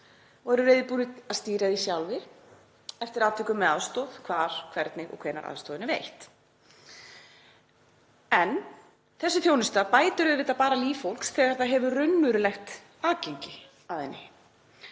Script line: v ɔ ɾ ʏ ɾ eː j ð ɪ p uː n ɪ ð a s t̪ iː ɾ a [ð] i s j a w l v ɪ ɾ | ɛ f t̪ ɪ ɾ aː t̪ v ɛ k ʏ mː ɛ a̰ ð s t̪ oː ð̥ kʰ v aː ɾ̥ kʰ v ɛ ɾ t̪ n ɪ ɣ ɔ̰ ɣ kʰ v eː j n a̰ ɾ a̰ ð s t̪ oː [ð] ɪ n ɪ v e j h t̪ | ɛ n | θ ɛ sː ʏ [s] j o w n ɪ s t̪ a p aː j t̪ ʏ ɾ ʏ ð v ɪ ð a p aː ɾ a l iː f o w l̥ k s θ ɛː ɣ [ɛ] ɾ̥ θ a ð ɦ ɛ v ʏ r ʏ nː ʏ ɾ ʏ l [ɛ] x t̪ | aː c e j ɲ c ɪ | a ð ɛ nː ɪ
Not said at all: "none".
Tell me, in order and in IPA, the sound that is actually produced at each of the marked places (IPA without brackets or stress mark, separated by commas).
ð, ð, θ, a, ɛ